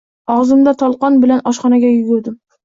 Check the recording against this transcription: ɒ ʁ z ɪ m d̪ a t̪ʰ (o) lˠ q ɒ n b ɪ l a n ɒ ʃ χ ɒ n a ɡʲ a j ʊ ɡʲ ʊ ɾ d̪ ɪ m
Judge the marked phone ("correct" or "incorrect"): incorrect